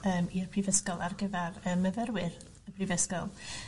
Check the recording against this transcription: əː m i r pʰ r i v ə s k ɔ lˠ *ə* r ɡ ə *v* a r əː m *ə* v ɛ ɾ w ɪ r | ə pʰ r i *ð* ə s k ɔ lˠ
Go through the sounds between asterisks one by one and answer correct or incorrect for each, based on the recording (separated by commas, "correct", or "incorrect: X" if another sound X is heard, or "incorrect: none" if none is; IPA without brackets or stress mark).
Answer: incorrect: a, correct, correct, incorrect: v